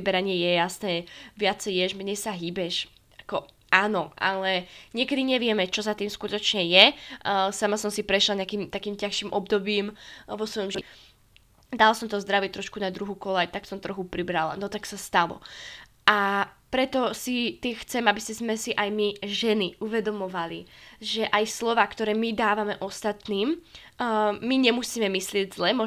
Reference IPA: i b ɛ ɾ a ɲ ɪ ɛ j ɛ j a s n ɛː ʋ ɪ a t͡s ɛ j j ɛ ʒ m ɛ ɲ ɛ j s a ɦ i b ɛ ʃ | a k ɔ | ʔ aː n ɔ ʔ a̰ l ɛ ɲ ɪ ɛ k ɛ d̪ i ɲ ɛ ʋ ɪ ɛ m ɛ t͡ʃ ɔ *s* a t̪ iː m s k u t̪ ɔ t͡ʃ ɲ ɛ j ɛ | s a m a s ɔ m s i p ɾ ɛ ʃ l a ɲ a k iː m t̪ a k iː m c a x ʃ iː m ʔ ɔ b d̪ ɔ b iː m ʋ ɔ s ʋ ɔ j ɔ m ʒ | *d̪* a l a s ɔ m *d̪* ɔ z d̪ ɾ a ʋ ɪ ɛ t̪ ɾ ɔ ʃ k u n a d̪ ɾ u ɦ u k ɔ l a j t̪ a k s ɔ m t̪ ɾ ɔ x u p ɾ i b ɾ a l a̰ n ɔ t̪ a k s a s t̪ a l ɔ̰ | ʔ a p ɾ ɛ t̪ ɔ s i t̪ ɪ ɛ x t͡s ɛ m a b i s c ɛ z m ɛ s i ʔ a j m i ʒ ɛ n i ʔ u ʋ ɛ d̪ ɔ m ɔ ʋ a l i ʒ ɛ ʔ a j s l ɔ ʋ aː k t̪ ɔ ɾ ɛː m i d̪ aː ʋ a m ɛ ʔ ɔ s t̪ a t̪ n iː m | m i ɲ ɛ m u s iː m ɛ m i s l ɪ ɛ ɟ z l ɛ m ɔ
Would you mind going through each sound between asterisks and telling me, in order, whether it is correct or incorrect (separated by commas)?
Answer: incorrect, correct, incorrect